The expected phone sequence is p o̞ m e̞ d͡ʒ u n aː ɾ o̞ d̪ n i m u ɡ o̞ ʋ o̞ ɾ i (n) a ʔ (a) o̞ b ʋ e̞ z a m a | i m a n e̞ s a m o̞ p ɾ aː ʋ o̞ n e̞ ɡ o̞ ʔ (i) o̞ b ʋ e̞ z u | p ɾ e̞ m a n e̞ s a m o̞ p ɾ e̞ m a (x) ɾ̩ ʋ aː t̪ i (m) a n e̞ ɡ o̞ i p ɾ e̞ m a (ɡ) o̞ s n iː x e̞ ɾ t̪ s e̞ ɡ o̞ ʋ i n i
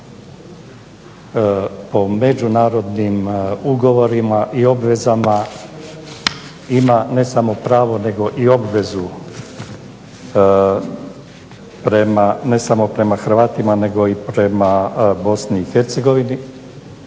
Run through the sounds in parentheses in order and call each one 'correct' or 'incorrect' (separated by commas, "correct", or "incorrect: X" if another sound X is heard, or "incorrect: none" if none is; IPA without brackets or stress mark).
incorrect: m, incorrect: i, correct, correct, correct, incorrect: b